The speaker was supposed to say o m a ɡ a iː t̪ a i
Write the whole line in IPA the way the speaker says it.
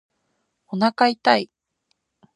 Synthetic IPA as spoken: o n a k a i t̪ a i